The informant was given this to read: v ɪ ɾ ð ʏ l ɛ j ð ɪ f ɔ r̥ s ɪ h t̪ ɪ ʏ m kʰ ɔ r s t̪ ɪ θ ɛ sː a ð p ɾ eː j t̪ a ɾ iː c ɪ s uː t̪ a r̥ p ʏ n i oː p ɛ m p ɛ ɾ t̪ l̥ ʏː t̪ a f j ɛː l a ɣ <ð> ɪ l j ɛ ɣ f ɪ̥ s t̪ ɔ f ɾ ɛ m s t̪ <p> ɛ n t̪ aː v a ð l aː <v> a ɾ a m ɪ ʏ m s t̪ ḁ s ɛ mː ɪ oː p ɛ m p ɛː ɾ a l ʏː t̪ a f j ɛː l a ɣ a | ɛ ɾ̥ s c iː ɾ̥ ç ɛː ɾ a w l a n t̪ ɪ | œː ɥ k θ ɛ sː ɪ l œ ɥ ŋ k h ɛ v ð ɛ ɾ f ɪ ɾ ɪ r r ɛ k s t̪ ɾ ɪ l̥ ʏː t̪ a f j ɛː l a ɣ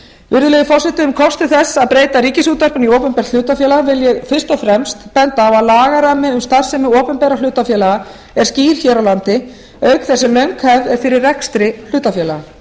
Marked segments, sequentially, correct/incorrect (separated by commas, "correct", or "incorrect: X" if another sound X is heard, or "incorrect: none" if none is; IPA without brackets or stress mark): incorrect: v, correct, incorrect: ɣ